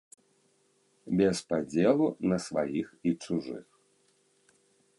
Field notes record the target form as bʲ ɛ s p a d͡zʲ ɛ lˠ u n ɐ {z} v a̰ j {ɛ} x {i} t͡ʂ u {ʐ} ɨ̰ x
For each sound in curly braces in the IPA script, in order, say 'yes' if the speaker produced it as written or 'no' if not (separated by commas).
no, no, yes, yes